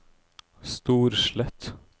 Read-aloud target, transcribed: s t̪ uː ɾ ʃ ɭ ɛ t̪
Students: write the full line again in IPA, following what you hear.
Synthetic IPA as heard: s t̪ uː ɾ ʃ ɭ ɛ t̪